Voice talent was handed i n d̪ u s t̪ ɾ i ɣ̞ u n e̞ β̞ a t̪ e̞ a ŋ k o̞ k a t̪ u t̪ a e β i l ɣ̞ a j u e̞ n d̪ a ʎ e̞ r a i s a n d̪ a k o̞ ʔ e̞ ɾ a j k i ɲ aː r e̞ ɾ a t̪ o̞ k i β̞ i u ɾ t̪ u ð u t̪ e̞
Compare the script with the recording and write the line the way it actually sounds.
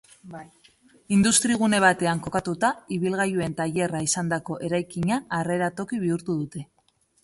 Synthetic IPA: i n d̪ u s t̪ ɾ i ɣ̞ u n e̞ β̞ a t̪ e̞ a ŋ k o̞ k a t̪ u t̪ a i β i l ɣ̞ a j u e̞ n t̪ a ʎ e̞ r a i s a n d̪ a k o̞ ʔ e̞ ɾ a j k i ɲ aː r e̞ ɾ a t̪ o̞ k i β̞ i u ɾ t̪ u ð u t̪ e̞